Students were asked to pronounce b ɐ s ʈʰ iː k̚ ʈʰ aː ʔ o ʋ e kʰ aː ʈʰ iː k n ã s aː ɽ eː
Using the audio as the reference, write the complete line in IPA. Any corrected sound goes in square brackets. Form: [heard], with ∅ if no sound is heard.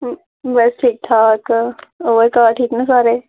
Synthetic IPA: b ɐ s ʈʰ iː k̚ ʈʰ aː [k] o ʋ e [k] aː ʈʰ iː k n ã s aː [ɾ] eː

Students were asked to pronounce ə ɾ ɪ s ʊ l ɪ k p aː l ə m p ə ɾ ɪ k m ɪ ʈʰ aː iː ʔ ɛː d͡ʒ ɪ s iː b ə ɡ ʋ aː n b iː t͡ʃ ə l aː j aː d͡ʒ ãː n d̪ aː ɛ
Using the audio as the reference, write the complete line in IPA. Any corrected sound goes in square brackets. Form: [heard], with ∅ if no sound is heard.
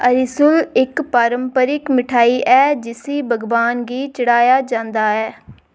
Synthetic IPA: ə ɾ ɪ s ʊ l ɪ k p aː [ɾ] ə m p ə ɾ ɪ k m ɪ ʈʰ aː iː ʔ ɛː d͡ʒ ɪ s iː b ə ɡ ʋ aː n [ɡ] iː t͡ʃ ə [ɽ] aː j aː d͡ʒ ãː n d̪ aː [ɛː]

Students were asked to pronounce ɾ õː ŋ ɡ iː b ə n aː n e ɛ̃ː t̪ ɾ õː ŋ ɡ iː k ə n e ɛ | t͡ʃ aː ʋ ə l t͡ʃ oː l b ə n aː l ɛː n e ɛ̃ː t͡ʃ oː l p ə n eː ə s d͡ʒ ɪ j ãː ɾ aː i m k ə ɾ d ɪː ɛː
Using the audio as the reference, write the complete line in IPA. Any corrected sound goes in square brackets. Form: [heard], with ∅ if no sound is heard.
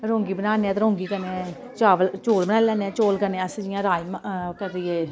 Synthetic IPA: ɾ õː ŋ ɡ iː b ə n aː n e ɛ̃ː t̪ ɾ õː ŋ ɡ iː k ə n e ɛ | t͡ʃ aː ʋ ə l t͡ʃ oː l b ə n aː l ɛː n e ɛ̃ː t͡ʃ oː l [k] ə n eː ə s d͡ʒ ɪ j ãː ɾ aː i m k ə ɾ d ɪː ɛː

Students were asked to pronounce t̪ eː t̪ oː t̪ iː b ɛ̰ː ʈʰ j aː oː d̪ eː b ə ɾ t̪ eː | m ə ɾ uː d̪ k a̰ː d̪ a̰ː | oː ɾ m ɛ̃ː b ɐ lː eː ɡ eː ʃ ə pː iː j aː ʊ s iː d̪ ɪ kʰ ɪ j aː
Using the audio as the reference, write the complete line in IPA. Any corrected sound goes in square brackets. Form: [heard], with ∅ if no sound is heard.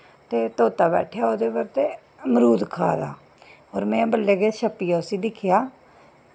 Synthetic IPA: t̪ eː t̪ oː t̪ [aː] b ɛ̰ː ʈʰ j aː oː d̪ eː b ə ɾ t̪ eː | m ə ɾ uː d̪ [kʰ] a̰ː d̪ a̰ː | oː ɾ m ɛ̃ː b [ə] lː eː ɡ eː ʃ ə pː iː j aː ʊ s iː d̪ ɪ kʰ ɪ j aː

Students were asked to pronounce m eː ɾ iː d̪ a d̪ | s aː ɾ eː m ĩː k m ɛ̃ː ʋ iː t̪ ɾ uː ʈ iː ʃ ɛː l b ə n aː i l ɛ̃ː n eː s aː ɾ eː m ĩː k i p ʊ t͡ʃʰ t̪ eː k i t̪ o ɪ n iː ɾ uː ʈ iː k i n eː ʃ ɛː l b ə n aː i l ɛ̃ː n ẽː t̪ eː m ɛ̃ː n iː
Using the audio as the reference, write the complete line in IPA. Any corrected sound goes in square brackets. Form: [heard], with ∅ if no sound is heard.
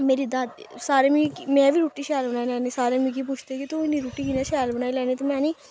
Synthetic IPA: m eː ɾ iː d̪ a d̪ | s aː ɾ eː m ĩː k m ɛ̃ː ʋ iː [∅] ɾ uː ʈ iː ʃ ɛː l b ə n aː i l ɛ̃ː n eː s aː ɾ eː m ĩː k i p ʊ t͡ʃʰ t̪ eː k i t̪ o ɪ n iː ɾ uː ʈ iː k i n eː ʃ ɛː l b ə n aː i l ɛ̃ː n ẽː t̪ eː m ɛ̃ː n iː

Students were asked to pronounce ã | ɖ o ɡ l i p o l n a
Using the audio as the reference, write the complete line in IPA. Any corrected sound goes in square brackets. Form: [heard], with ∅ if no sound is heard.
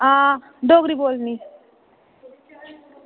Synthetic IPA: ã | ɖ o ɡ [ɾ] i [b] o l n [i]

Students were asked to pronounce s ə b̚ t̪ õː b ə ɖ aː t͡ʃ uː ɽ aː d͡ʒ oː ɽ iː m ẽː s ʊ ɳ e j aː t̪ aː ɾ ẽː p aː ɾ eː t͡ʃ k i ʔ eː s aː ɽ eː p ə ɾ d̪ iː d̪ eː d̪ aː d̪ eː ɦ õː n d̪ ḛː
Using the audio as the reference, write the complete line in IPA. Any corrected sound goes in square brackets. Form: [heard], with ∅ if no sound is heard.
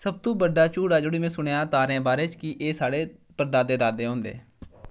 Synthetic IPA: s ə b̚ t̪ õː b ə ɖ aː t͡ʃ uː ɽ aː d͡ʒ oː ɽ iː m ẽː s ʊ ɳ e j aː t̪ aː ɾ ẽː [b] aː ɾ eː t͡ʃ k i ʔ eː s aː ɽ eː p ə ɾ d̪ [aː] d̪ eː d̪ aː d̪ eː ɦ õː n d̪ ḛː

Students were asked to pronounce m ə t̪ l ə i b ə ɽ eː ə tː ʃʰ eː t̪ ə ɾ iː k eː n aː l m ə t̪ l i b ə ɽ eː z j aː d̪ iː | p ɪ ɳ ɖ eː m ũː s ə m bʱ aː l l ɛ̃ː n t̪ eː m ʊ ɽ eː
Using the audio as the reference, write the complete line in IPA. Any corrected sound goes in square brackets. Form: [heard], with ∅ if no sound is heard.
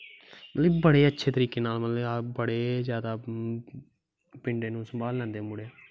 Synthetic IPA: m ə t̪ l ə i b ə ɽ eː ə tː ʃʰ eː t̪ ə ɾ iː k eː n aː l m ə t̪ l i b ə ɽ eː z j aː d̪ [aː] | p ɪ ɳ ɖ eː [n] ũː s ə m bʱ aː l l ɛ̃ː n [d̪] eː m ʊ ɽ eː

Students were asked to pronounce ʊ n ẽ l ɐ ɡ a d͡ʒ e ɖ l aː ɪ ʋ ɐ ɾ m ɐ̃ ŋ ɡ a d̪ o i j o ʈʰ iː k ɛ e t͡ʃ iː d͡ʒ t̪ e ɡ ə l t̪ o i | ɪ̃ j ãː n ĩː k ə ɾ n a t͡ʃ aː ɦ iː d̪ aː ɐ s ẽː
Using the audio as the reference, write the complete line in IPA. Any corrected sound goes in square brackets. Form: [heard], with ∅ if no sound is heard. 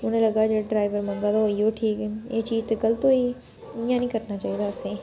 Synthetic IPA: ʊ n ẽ l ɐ ɡ a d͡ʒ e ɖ [ɾ] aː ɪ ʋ [ə] ɾ m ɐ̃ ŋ ɡ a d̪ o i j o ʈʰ iː k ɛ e t͡ʃ iː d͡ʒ t̪ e ɡ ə l t̪ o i | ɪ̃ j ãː n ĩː k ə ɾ n a t͡ʃ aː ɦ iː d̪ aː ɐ s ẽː

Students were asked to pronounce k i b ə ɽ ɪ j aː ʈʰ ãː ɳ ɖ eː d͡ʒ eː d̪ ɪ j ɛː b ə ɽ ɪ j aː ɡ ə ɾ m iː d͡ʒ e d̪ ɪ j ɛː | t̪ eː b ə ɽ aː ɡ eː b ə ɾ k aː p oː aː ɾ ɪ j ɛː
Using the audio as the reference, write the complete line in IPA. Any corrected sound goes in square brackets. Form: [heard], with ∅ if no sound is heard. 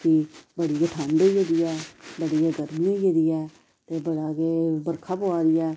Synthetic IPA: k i b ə ɽ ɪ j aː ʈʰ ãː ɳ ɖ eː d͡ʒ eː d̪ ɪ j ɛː b ə ɽ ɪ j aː ɡ ə ɾ m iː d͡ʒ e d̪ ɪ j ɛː | t̪ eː b ə ɽ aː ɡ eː b ə ɾ [kʰ] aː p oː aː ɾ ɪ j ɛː

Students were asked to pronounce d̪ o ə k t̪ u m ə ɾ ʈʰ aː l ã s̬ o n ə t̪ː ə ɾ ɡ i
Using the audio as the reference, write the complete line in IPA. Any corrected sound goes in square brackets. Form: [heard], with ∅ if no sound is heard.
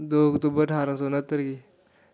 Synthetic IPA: d̪ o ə k t̪ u [b] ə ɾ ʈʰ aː [ɾ] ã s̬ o n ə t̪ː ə ɾ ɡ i

